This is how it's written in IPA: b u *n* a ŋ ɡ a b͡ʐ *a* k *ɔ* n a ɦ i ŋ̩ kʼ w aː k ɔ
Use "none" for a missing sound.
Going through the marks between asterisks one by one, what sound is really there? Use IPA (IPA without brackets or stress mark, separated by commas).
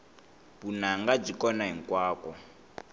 n, i, ɔ